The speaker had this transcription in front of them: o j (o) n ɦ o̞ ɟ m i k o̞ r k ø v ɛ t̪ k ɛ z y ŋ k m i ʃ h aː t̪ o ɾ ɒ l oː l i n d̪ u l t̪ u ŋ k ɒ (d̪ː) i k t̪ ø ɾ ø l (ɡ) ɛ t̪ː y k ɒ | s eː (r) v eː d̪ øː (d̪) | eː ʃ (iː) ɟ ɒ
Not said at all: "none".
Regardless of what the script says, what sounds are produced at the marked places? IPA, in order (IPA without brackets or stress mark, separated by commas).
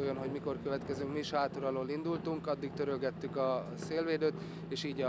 o, d̪ː, ɡ, l, t̪, iː